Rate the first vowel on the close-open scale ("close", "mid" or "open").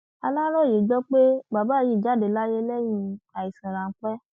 open